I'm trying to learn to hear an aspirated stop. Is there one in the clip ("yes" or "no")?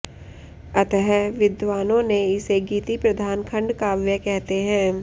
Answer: yes